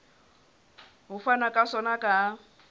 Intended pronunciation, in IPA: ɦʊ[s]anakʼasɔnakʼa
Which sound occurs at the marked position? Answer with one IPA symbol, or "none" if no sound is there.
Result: f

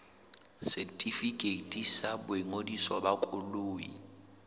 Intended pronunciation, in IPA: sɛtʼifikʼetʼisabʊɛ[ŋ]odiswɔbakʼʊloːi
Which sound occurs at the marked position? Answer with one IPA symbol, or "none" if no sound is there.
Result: ŋ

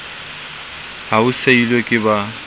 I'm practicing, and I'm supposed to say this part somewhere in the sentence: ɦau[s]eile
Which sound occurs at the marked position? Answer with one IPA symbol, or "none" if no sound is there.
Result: s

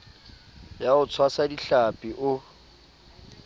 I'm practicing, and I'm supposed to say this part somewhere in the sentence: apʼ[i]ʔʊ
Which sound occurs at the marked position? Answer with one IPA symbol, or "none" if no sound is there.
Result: i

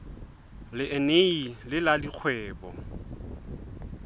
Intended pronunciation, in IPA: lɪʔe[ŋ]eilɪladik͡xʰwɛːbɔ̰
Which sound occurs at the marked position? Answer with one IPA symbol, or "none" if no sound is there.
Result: n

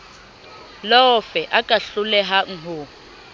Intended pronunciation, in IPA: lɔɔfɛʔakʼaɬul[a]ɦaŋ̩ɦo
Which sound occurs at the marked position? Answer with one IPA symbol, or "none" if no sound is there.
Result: ɛ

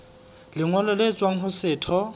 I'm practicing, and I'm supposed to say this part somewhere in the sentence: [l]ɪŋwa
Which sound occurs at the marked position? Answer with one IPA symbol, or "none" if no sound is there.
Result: l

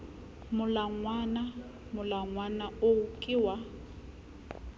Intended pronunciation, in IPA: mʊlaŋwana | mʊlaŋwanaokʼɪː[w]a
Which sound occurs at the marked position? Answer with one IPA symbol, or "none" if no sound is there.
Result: w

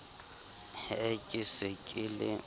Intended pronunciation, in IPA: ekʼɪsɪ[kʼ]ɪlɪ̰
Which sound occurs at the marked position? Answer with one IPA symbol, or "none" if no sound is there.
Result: kʼ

